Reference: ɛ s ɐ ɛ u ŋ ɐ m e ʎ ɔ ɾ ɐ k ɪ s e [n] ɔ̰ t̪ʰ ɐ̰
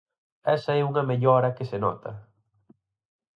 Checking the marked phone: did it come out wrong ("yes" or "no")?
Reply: no